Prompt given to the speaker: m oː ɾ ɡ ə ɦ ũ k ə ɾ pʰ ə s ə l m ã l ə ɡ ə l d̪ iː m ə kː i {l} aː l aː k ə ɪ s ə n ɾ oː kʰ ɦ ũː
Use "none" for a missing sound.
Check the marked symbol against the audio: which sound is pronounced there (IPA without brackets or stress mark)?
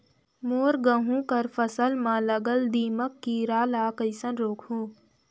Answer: ɾ